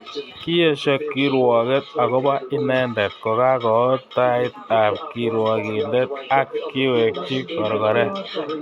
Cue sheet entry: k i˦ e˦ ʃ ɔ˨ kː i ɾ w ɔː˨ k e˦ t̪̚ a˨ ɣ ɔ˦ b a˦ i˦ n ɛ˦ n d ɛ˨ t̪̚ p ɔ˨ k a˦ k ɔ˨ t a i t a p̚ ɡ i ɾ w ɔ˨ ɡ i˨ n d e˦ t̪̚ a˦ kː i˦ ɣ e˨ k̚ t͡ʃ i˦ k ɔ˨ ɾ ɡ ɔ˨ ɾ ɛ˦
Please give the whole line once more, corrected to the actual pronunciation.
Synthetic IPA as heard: k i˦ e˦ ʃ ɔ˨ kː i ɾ w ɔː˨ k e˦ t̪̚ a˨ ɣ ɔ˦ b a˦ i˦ n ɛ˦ n d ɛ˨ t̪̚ k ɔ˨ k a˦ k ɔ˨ t a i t a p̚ k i ɾ w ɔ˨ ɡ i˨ n d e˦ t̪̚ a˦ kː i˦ w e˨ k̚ t͡ʃ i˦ k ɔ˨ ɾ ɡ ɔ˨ ɾ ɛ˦